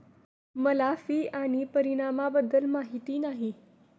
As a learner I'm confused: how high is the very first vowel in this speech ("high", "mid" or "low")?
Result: mid